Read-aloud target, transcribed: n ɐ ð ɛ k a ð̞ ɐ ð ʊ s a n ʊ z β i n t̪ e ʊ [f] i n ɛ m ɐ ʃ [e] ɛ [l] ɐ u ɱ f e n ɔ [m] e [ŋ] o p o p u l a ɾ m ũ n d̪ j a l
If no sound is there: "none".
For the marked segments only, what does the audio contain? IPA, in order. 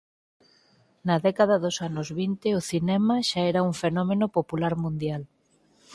θ, a, ɾ, m, n

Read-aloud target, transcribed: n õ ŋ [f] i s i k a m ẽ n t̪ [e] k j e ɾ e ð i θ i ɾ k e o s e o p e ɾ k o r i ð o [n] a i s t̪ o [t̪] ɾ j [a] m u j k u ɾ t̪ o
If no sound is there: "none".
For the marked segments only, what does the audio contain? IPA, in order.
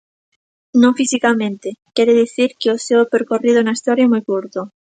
f, e, n, none, a

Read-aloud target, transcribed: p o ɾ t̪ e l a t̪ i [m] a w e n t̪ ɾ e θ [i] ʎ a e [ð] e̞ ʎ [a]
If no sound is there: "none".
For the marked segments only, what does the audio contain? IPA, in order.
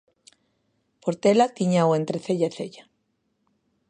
ɲ, e, θ, a

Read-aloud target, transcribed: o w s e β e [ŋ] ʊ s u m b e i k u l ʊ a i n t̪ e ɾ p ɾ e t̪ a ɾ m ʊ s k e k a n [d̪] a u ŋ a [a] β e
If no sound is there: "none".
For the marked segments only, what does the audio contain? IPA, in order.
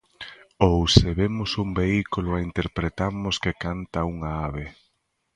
m, t̪, a

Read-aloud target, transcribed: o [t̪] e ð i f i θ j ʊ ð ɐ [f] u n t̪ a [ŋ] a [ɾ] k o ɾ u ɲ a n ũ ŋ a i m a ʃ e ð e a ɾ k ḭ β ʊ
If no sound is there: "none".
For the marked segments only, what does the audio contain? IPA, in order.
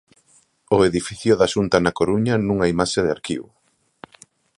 none, ʃ, n, none

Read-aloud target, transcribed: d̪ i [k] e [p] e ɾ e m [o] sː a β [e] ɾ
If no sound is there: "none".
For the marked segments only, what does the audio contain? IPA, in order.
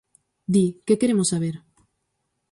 k, k, o, e

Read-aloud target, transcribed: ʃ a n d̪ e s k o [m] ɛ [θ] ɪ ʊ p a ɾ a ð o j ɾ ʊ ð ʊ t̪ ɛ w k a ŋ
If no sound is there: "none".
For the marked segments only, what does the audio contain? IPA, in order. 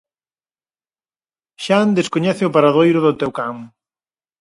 ɲ, θ

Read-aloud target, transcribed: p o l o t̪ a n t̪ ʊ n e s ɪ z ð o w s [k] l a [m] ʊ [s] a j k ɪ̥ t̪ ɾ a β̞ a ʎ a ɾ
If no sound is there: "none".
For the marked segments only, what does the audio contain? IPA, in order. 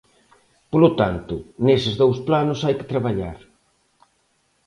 p, n, s

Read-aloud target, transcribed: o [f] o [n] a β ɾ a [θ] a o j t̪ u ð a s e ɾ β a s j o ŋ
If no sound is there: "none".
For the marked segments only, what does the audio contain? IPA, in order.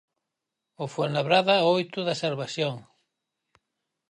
f, n, ð

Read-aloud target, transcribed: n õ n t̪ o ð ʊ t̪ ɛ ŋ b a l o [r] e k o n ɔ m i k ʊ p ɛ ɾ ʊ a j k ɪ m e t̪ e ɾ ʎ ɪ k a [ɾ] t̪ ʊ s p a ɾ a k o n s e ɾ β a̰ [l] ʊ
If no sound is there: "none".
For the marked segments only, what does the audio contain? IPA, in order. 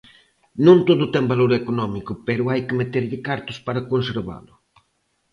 ɾ, ɾ, l

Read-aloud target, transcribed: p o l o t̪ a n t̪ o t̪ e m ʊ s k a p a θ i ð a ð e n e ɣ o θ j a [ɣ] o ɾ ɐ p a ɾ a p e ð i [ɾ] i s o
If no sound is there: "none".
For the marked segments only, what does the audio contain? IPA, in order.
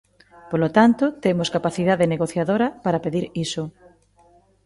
ð, ɾ

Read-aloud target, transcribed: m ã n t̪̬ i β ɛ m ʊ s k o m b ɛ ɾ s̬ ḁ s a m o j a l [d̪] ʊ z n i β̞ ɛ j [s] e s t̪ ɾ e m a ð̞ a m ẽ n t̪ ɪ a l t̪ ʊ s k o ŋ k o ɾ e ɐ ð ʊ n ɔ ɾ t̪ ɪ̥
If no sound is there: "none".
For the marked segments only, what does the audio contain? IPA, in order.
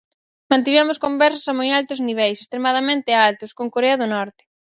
t̪, s

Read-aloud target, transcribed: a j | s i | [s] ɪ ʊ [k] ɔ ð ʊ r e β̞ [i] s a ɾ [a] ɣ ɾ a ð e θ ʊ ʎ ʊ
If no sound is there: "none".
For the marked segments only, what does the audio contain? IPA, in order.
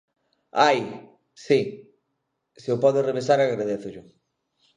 s, p, e, a

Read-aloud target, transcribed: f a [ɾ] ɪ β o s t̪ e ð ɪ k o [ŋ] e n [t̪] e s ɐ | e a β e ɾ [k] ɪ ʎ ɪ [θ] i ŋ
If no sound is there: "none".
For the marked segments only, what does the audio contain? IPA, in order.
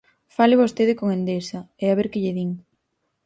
l, ŋ, d̪, k, ð

